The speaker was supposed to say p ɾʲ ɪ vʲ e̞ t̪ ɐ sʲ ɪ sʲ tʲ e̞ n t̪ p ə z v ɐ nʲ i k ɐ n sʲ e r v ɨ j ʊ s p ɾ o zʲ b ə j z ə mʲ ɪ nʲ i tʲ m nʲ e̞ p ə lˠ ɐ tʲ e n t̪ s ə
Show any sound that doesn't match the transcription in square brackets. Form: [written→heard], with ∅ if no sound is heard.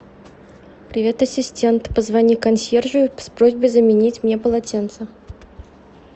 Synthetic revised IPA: p ɾʲ ɪ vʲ e̞ t̪ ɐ sʲ ɪ sʲ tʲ e̞ n t̪ p ə z v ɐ nʲ i k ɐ n sʲ e r [v→ʐ] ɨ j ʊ s p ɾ o zʲ b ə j z ə mʲ ɪ nʲ i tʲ m nʲ e̞ p ə lˠ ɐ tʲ e n t̪ s ə